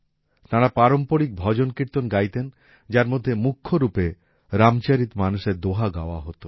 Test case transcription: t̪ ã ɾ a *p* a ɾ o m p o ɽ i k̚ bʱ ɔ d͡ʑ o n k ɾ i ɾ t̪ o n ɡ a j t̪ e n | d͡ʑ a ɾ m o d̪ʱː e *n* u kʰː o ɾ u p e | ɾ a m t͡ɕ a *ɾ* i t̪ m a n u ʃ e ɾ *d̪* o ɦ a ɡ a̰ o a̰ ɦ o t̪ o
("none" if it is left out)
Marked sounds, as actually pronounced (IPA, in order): p, m, ɾ, d̪

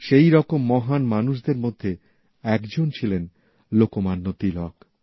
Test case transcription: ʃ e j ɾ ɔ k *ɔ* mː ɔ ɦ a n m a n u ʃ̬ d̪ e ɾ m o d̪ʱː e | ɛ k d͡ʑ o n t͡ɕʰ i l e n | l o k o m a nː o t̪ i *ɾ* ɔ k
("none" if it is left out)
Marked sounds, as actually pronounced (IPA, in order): o, l

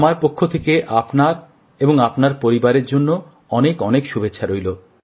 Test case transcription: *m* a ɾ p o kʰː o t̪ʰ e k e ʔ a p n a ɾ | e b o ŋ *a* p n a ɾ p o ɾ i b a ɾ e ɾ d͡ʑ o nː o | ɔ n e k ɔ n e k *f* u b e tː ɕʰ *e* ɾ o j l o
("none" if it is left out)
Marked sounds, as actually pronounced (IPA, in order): m, a, ʃ, a

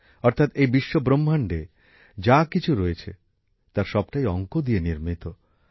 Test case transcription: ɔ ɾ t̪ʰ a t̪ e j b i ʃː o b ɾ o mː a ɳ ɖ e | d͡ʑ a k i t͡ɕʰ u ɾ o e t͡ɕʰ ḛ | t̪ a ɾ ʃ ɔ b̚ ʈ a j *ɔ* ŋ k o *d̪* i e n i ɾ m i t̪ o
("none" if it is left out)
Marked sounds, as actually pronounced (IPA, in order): ɔ, d̪

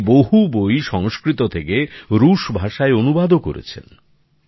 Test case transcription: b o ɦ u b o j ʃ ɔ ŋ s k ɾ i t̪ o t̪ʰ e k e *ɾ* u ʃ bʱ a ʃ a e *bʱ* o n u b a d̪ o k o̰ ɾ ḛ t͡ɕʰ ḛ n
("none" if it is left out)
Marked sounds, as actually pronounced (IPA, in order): ɾ, none

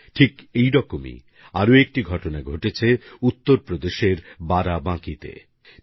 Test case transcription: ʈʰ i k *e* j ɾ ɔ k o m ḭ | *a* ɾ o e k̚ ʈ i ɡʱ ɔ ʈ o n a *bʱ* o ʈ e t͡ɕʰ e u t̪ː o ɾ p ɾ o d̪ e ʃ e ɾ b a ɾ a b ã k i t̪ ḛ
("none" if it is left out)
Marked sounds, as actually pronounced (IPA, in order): e, a, ɡʱ

